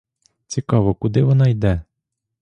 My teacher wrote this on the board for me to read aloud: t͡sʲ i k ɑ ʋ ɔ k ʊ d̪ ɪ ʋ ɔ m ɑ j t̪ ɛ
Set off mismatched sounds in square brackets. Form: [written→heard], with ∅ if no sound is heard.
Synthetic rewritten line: t͡sʲ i k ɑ ʋ ɔ k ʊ d̪ ɪ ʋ ɔ [m→n] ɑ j [t̪→d̪] ɛ